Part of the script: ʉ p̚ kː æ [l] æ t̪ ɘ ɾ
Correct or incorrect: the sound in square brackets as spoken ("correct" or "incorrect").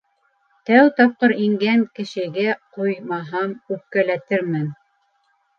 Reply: correct